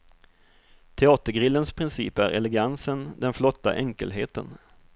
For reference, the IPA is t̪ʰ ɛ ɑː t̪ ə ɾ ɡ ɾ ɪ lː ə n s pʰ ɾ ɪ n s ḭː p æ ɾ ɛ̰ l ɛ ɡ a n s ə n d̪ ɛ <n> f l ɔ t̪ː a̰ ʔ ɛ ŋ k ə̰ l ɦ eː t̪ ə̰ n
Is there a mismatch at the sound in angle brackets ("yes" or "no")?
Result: no